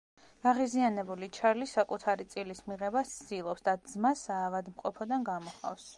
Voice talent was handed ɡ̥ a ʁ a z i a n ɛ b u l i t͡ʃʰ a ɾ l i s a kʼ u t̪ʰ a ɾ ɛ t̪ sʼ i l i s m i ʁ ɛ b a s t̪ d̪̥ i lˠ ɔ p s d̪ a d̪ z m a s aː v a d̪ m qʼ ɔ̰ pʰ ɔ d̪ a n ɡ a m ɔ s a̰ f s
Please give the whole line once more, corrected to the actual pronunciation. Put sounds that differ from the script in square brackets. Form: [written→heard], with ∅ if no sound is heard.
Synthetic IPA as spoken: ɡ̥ a ʁ [a→i] z i a n ɛ b u l i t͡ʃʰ a ɾ l i s a kʼ u t̪ʰ a ɾ [ɛ→i] t̪ sʼ i l i s m i ʁ ɛ b a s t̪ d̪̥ i lˠ ɔ p s d̪ a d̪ z m a s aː v a d̪ m qʼ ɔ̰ pʰ ɔ d̪ a n ɡ a m ɔ [s→χ] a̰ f s